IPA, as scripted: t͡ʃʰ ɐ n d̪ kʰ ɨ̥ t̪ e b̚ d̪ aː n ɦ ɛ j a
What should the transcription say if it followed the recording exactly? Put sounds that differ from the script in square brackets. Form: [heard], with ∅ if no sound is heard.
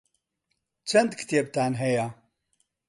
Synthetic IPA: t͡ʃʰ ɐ n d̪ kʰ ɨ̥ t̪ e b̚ [t̪] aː n ɦ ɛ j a